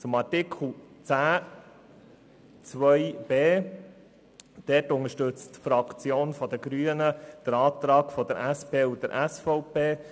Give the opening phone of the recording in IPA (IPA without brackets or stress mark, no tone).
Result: t͡s